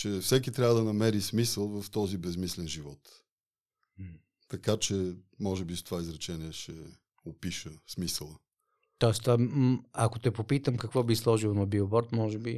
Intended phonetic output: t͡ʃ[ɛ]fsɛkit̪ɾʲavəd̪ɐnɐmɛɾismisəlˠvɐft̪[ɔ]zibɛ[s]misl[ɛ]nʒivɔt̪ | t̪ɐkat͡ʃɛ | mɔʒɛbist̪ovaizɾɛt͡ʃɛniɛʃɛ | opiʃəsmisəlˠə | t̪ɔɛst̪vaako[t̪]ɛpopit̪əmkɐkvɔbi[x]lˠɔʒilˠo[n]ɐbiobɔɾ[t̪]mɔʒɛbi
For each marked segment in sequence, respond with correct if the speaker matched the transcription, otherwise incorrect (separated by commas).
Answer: correct, correct, incorrect, correct, correct, incorrect, correct, correct